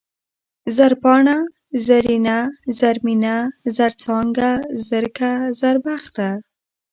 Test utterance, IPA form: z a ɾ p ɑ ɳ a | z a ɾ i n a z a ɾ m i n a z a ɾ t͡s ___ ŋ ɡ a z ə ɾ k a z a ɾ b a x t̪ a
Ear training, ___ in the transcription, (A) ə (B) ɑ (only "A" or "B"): B